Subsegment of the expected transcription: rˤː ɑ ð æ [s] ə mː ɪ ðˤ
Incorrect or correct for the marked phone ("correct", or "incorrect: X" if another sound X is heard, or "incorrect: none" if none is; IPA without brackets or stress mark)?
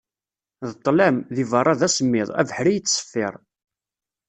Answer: correct